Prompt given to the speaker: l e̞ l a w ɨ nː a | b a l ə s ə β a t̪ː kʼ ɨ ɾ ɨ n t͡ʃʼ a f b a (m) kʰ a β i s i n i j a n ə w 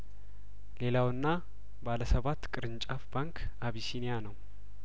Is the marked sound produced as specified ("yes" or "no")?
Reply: no